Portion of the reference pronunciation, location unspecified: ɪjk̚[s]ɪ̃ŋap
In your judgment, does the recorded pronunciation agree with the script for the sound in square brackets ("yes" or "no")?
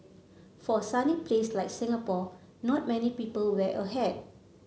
yes